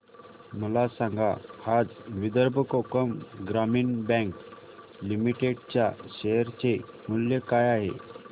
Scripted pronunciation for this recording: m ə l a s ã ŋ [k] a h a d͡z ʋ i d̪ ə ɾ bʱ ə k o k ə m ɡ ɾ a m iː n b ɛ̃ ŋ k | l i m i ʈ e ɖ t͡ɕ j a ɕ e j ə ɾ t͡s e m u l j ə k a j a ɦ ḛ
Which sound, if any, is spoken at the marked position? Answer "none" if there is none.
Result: ɡ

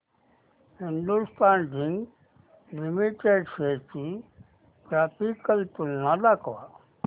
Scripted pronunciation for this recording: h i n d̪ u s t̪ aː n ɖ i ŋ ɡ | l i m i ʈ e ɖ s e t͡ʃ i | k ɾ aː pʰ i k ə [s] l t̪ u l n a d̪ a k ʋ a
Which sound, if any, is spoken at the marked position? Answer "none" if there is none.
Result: none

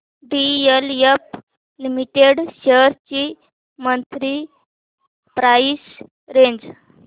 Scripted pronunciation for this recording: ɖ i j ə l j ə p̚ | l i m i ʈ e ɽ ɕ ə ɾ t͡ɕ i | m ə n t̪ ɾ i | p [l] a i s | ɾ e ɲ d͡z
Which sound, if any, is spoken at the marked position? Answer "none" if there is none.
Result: ɾ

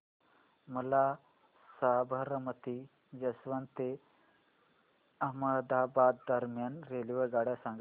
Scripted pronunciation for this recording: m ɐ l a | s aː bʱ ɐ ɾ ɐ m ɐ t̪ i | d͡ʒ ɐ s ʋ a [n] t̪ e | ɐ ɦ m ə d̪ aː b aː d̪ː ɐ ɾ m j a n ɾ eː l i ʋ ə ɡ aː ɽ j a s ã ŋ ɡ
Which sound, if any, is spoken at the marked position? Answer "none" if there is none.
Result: n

